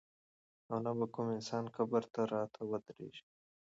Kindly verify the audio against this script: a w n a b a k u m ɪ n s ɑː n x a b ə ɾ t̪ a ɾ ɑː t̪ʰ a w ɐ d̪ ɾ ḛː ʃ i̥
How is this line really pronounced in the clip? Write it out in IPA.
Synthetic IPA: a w n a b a k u m ɪ n s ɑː n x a b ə ɾ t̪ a ɾ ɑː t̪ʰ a w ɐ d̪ ɾ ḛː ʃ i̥